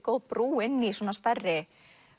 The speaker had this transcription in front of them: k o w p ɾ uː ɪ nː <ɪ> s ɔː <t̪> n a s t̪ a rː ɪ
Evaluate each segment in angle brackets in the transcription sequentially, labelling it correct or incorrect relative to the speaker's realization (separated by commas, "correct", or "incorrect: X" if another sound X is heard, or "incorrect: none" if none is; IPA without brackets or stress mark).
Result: incorrect: i, incorrect: none